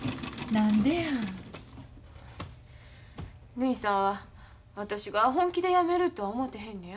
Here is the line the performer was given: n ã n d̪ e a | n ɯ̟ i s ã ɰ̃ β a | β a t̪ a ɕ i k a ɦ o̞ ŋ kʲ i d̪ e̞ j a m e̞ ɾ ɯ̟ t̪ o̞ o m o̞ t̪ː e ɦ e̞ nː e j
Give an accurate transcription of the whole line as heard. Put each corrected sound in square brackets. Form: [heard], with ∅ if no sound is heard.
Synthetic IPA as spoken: n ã n d̪ e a | n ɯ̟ i s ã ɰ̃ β a | β a t̪ a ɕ i [ɡ] a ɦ [õ̞] ŋ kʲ i d̪ e̞ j a m e̞ ɾ ɯ̟ t̪ o̞ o m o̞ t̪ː e ɦ [ẽ̞] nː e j